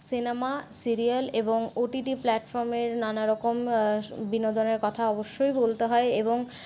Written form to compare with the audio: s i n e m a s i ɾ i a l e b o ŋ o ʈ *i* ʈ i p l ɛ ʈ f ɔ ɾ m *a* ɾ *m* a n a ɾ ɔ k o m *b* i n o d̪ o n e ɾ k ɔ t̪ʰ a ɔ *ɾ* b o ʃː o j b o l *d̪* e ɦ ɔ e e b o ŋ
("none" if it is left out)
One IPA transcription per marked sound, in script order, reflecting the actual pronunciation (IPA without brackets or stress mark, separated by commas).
i, e, n, b, none, t̪